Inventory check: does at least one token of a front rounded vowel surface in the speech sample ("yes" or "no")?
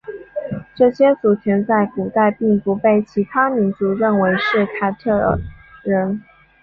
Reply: no